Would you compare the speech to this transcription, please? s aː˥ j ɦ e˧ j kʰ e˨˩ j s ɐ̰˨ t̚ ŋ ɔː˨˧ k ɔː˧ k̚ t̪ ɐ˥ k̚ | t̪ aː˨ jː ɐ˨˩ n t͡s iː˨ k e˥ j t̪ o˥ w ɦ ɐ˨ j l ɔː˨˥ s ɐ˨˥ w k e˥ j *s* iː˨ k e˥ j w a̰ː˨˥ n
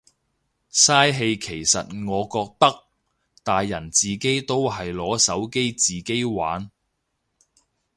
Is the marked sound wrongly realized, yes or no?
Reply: yes